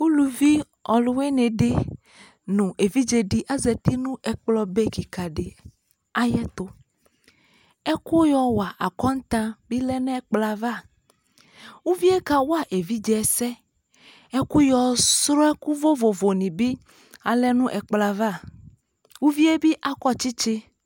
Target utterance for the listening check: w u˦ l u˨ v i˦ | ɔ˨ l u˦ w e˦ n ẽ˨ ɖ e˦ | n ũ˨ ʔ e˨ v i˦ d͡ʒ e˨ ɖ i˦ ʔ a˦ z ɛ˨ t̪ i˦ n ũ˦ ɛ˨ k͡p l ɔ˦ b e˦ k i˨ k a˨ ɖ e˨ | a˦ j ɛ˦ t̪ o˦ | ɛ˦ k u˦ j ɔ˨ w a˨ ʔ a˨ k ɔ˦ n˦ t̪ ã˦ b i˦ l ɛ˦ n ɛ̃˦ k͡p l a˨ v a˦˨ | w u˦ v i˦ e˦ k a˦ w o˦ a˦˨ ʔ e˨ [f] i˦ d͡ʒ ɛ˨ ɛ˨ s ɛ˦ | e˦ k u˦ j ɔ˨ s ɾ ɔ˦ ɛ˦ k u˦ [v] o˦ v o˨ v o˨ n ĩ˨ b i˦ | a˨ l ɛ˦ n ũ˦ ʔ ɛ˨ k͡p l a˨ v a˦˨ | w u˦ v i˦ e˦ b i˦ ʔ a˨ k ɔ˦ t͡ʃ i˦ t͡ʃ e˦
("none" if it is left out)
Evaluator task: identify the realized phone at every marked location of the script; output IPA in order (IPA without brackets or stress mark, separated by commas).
v, v